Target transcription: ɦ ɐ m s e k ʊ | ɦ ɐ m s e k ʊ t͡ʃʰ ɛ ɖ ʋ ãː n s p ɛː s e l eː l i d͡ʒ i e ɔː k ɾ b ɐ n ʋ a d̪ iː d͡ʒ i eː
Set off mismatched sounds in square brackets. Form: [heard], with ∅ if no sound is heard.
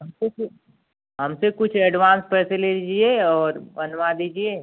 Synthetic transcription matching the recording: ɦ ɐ m s e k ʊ | ɦ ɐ m s e k ʊ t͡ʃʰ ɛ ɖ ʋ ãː n s p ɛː s e l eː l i d͡ʒ i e ɔː [∅] ɾ b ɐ n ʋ a d̪ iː d͡ʒ i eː

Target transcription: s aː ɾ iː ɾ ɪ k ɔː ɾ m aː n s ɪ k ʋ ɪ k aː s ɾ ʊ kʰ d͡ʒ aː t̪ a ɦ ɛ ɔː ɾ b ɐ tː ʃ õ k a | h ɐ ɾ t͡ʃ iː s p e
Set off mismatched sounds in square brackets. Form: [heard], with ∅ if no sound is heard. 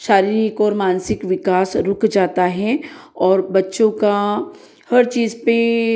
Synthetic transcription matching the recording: [ʃ] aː ɾ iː ɾ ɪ k ɔː ɾ m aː n s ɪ k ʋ ɪ k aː s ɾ ʊ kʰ d͡ʒ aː t̪ a ɦ ɛ ɔː ɾ b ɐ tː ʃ õ k a | h ɐ ɾ t͡ʃ iː [z] p e

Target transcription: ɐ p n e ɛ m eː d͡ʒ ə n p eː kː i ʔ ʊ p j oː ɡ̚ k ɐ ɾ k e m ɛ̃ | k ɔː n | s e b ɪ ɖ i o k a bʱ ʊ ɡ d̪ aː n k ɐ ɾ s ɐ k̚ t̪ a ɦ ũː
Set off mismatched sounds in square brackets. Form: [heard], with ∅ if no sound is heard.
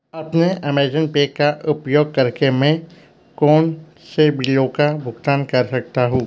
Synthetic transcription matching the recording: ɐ p n e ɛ m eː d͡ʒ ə n p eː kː [a] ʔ ʊ p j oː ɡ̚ k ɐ ɾ k e m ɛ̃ | k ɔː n | s e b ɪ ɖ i o k a bʱ ʊ ɡ [t̪] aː n k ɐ ɾ s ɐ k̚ t̪ a ɦ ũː

